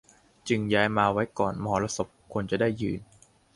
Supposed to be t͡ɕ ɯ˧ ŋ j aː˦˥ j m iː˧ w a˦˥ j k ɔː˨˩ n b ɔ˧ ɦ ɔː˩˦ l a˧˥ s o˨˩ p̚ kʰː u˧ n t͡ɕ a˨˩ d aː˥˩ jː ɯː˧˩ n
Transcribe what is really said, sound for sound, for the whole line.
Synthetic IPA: t͡ɕ ɯ˧ ŋ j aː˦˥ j m aː˧ w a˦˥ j k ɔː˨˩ n m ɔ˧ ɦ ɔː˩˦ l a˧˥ s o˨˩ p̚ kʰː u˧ n t͡ɕ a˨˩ d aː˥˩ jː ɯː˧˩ n

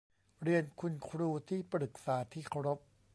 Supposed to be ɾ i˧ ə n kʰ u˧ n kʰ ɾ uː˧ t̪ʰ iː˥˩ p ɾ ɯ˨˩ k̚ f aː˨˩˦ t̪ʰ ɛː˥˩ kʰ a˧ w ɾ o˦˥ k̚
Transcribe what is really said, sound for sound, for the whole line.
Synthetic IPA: ɾ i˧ ə n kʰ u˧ n kʰ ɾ uː˧ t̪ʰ iː˥˩ p ɾ ɯ˨˩ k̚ s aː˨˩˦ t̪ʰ iː˥˩ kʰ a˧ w ɾ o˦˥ p̚

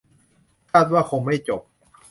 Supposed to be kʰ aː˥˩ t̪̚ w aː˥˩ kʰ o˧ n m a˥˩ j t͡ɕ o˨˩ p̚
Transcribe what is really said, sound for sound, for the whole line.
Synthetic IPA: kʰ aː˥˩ t̪̚ w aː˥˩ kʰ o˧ ŋ m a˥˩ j t͡ɕ o˨˩ p̚

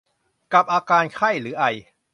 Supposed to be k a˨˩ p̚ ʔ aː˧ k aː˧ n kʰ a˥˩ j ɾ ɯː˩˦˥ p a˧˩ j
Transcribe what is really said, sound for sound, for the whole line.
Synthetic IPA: k a˨˩ p̚ ʔ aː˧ k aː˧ n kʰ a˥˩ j ɾ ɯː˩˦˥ ʔ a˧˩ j

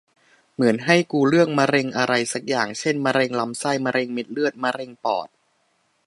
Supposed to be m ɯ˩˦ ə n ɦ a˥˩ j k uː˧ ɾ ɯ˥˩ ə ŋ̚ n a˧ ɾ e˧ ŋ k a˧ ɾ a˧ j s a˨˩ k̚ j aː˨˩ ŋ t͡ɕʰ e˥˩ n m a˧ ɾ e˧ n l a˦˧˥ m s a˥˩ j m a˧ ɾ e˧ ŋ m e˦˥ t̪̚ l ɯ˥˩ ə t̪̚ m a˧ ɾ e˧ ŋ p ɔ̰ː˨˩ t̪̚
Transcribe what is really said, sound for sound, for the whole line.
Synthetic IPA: m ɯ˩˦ ə n ɦ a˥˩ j k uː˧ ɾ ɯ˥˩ ə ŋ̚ m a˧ ɾ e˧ ŋ ʔ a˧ ɾ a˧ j s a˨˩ k̚ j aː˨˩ ŋ t͡ɕʰ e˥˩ n m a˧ ɾ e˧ ŋ l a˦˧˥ m s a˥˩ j m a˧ ɾ e˧ ŋ m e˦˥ t̪̚ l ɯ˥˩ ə t̪̚ m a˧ ɾ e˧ ŋ p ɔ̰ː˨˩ t̪̚

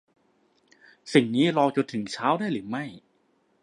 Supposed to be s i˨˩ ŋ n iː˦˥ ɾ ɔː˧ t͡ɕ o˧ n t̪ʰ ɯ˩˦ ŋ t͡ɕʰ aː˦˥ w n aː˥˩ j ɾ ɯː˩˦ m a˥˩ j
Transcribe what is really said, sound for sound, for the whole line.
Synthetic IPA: s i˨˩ ŋ n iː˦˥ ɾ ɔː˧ t͡ɕ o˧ n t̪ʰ ɯ˩˦ ŋ t͡ɕʰ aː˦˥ w d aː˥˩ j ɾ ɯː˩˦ m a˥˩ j

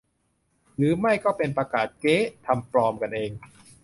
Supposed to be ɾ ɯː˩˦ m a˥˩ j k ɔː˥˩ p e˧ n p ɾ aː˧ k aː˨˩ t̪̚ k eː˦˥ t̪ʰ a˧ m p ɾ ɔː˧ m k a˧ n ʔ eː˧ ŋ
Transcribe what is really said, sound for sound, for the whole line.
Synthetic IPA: ɾ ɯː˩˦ m a˥˩ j k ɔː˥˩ p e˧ n p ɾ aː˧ k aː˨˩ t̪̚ k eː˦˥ t̪ʰ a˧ m p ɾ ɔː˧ m k a˧ n ʔ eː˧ ŋ

